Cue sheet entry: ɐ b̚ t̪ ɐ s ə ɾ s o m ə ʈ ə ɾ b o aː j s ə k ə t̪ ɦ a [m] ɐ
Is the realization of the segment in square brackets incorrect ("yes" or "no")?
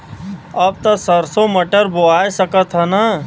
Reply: yes